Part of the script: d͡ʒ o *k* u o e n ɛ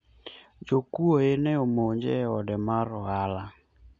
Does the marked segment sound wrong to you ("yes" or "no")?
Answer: no